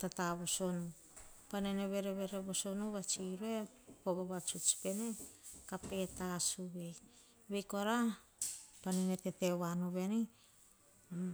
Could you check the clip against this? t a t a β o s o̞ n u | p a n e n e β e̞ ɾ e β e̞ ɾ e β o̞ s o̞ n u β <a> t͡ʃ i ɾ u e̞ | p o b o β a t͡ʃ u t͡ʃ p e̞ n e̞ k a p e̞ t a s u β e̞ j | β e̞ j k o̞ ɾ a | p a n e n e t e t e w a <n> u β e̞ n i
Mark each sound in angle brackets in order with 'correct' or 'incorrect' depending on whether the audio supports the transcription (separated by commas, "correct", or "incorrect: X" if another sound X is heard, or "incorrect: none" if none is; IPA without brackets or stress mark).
correct, correct